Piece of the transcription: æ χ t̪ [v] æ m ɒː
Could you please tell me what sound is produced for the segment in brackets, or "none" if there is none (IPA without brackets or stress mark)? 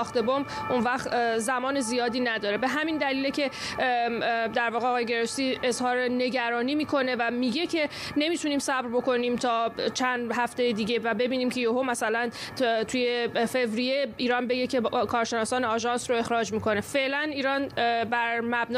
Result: z